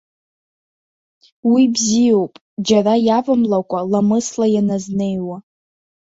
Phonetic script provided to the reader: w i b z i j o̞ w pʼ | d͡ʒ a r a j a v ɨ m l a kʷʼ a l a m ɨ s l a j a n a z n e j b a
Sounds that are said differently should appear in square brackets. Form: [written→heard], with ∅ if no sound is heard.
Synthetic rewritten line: w i b z i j o̞ w pʼ | d͡ʒ a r a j a v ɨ m l a kʷʼ a l a m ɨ s l a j a n a z n e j [b→w] a